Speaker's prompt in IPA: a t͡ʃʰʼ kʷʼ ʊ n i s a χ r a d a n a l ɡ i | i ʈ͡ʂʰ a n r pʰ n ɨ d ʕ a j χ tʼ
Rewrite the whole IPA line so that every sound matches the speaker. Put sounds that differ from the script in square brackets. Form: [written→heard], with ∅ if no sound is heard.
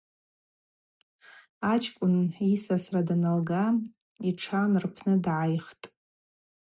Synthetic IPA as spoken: a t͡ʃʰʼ kʷʼ ʊ n i s a [χ→s] r a d a n a l ɡ [i→a] | i ʈ͡ʂʰ a n r pʰ n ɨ d ʕ a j χ tʼ